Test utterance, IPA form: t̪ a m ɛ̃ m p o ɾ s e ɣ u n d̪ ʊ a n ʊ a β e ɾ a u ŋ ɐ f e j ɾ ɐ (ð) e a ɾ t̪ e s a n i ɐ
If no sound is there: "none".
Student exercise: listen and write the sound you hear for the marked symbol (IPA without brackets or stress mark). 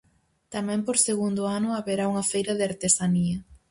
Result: ð